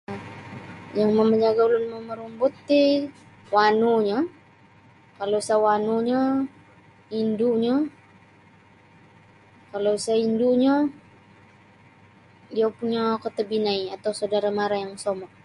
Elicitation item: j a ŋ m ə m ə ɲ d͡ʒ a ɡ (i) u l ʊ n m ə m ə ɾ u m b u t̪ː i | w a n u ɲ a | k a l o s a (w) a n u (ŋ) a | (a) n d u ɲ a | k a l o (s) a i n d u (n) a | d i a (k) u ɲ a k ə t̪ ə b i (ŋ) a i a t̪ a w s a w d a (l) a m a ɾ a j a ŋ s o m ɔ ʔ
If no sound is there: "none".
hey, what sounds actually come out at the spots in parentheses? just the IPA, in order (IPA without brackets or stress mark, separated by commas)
a, w, ɲ, i, s, ɲ, p, n, ɾ